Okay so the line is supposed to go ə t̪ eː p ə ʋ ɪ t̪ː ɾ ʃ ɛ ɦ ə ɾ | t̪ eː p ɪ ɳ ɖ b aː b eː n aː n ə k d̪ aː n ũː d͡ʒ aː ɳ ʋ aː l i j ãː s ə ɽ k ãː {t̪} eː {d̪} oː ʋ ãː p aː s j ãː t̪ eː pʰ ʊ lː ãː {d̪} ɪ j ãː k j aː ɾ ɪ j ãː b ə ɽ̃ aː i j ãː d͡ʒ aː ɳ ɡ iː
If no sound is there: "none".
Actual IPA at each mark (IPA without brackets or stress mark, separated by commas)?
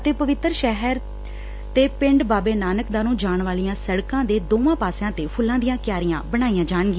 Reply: d̪, d̪, d̪